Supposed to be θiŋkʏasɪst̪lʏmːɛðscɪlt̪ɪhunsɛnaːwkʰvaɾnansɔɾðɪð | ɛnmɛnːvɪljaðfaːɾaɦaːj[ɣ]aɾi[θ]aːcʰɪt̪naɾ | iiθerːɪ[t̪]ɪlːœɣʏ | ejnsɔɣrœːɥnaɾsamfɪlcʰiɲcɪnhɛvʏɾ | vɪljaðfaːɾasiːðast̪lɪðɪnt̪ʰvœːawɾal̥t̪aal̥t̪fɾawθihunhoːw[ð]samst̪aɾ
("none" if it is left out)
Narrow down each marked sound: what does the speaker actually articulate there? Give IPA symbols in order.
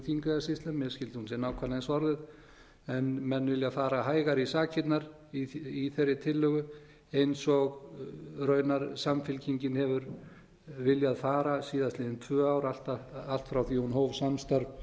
ɣ, s, t̪ʰ, v

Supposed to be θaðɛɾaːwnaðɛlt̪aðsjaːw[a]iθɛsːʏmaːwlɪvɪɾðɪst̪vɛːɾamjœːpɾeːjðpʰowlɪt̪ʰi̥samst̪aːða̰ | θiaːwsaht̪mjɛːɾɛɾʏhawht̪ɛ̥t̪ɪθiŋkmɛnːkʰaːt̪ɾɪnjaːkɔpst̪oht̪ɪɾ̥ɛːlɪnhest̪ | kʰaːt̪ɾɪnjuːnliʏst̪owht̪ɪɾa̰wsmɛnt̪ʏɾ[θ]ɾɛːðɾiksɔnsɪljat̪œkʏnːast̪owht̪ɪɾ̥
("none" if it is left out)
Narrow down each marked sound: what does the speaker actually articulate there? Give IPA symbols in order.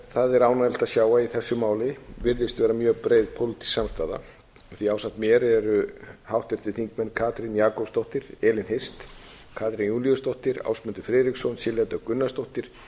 a, f

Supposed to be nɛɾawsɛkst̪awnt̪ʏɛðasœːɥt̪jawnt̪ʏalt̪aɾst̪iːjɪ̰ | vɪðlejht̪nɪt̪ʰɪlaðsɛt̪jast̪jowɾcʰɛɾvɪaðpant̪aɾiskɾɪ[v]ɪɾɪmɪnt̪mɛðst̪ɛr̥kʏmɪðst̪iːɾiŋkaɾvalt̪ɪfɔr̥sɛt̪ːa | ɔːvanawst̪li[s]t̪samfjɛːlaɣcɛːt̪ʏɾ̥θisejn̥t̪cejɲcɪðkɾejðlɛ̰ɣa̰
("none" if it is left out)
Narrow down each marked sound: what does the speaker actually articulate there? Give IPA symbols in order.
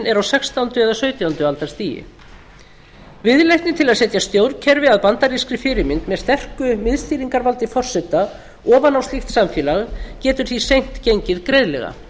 f, x

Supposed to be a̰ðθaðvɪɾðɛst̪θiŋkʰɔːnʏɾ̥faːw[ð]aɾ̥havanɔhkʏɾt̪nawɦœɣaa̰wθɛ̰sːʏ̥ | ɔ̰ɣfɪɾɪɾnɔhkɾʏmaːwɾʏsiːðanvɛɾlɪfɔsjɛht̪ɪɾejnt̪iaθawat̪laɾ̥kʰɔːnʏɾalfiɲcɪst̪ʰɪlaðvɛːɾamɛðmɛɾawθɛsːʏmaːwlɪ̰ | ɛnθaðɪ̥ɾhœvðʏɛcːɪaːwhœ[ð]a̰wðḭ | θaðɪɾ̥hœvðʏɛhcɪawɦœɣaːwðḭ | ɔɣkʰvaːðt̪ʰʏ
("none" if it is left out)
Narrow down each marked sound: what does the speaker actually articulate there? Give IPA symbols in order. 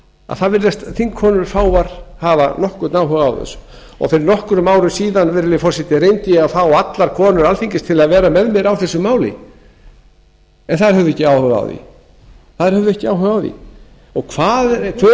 v, ɣ

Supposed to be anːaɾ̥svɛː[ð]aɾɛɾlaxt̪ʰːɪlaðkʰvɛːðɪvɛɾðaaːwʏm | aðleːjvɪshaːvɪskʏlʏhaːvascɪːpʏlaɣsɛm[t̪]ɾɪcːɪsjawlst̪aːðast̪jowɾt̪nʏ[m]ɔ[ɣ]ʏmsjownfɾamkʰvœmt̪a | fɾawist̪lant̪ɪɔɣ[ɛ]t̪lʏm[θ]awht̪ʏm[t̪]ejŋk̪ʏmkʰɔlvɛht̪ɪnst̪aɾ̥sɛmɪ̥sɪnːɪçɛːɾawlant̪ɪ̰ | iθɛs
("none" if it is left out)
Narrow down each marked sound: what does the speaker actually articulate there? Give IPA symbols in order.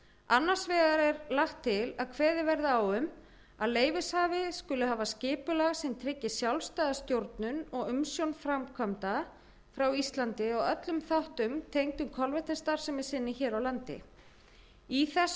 ɣ, t̪ʰ, n, ɣ, œ, θ, t̪ʰ

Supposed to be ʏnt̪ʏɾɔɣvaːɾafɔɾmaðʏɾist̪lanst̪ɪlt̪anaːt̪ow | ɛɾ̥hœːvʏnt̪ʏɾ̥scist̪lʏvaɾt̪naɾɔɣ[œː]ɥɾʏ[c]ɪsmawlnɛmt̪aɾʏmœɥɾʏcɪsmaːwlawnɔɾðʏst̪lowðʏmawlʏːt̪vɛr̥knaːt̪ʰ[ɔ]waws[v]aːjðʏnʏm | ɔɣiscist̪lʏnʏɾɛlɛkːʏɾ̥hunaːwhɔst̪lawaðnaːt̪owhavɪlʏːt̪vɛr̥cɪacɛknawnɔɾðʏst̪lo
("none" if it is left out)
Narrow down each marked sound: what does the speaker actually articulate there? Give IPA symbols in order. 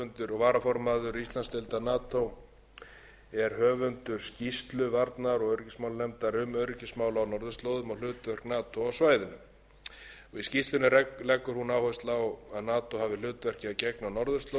œ, c, o, v

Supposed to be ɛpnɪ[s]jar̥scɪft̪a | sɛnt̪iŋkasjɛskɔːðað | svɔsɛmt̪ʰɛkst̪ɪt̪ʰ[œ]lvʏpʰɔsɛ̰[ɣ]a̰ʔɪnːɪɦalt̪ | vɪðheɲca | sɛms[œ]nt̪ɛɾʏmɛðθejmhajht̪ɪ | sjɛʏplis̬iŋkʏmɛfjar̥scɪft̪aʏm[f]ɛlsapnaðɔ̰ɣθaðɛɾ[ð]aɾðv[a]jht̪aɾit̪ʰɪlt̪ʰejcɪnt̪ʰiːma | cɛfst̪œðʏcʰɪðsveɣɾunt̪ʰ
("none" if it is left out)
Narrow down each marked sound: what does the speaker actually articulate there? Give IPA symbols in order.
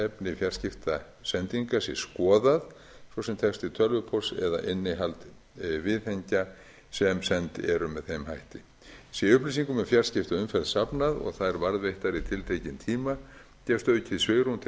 f, œ, ð, ɛ, f, v, e

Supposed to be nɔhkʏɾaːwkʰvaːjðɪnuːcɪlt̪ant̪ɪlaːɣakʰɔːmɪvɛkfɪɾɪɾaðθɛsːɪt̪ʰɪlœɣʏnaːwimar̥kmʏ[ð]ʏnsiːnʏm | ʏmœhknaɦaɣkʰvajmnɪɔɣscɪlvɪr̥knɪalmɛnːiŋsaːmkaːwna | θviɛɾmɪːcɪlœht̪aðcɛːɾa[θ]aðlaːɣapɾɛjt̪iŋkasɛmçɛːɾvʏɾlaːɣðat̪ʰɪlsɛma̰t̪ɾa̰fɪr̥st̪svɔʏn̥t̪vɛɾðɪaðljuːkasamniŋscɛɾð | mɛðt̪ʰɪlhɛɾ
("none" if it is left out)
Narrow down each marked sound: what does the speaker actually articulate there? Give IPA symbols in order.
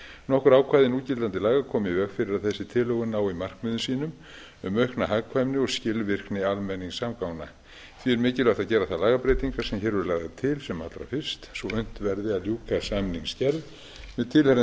ð, θ

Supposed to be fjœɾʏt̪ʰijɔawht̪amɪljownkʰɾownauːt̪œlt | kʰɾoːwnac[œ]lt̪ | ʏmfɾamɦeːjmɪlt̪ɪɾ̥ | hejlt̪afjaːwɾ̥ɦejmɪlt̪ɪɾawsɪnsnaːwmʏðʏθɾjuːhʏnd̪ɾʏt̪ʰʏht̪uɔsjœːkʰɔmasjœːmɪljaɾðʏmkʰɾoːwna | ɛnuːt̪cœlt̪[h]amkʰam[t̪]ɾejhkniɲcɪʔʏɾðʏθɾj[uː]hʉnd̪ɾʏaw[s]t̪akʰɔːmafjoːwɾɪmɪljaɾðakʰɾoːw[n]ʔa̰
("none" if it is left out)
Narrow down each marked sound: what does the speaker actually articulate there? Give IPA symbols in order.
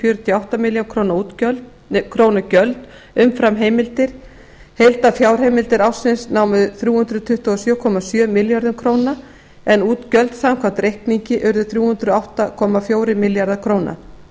œ, s, t̪, uː, h, n

